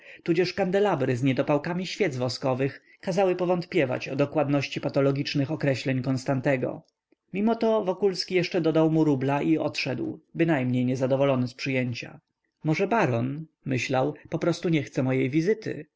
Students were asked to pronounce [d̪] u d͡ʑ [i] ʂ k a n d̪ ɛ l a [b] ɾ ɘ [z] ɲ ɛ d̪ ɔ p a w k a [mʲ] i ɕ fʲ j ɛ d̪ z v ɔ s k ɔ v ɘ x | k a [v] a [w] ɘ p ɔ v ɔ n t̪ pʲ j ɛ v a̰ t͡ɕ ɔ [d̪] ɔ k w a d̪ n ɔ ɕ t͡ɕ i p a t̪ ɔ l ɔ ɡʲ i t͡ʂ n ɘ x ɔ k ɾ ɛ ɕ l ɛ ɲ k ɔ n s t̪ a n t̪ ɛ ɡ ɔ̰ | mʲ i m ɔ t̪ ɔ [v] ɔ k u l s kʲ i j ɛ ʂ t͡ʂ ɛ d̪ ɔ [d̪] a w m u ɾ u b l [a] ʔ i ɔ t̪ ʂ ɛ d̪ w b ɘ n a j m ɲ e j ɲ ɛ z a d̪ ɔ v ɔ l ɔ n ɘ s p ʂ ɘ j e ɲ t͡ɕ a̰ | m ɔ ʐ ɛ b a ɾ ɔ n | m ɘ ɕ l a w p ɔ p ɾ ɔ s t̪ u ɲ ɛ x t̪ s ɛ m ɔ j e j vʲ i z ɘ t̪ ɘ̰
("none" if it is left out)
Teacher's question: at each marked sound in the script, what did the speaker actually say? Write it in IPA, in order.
t̪, ɛ, b, z, mʲ, z, w, d̪, v, d̪, a

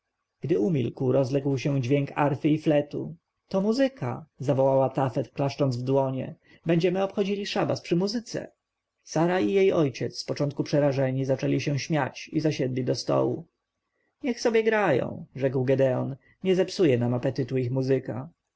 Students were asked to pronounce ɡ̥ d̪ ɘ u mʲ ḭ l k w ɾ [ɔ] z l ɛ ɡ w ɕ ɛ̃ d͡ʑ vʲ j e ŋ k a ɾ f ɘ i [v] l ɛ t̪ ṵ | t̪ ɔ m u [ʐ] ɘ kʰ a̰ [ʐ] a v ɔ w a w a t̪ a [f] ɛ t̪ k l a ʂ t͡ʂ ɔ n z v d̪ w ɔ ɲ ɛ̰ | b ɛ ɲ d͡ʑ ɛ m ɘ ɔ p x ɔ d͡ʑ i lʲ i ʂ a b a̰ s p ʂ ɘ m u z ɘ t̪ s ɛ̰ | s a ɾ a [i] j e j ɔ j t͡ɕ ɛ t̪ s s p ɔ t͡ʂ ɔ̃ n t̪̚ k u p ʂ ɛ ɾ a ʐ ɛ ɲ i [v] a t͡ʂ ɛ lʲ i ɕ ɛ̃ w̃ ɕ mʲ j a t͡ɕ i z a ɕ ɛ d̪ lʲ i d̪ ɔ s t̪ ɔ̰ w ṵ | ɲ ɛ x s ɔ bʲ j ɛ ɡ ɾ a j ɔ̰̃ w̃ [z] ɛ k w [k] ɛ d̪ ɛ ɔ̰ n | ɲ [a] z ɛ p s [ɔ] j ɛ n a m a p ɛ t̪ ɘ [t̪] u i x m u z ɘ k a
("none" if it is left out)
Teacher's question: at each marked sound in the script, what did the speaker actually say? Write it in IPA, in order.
ɔ, f, z, z, f, i, z, ʐ, ɡ, ɛ, u, t̪

